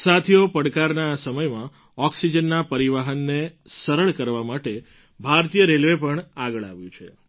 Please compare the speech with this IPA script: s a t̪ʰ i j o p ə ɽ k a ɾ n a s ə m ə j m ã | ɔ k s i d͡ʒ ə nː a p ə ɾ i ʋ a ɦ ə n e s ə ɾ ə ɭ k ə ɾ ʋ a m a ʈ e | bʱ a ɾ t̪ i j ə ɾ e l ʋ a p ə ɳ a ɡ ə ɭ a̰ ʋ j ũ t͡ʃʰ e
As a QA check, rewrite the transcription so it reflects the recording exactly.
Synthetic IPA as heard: s a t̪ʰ i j o p ə ɽ k a ɾ n a s ə m ə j m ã | ɔ k s i d͡ʒ ə nː a p ə ɾ i ʋ a ɦ ə nː e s ə ɾ ə ɭ k ə ɾ ʋ a m a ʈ e | bʱ a ɾ t̪ i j ə ɾ e l ʋ e p ə ɳ a ɡ ə ɭ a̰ ʋ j ũ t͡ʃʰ e